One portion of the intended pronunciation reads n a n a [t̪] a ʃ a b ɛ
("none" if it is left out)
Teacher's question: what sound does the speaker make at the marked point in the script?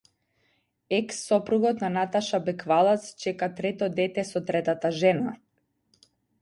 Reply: t̪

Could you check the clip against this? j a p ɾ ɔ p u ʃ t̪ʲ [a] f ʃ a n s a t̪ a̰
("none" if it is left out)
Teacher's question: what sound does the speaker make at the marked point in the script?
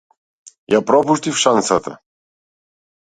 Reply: i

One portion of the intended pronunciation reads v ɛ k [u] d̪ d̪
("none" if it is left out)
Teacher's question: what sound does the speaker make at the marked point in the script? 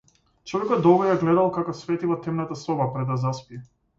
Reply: ɔ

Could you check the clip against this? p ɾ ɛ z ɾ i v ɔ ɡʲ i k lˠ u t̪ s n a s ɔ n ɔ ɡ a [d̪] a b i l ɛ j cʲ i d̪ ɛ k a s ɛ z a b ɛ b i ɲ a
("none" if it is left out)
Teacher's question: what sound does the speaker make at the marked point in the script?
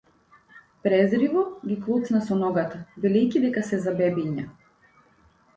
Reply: t̪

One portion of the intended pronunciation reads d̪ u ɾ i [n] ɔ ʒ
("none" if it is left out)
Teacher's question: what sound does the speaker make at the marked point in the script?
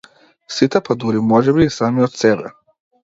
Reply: m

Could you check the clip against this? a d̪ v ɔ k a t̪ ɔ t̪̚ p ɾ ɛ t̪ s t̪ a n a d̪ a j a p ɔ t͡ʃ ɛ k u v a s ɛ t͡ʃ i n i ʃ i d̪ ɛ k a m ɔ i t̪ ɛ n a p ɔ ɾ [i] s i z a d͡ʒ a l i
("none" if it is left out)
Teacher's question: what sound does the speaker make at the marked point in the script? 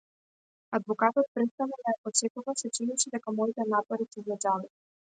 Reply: i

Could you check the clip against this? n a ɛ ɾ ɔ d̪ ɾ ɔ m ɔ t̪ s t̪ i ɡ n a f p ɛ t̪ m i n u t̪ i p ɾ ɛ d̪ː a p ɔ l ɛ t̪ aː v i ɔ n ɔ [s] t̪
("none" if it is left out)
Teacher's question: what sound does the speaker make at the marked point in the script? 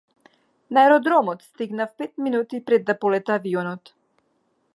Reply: none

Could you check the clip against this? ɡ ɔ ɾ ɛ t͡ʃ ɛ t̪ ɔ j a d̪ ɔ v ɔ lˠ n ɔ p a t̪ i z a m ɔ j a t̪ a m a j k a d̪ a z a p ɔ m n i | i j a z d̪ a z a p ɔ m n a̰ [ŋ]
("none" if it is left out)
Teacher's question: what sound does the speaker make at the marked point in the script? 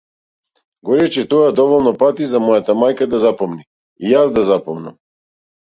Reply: m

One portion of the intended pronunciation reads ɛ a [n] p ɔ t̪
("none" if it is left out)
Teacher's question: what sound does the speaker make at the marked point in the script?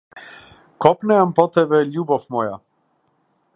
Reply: m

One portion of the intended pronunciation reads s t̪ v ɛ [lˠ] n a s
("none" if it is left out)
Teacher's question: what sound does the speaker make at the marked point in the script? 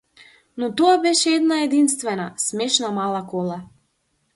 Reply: none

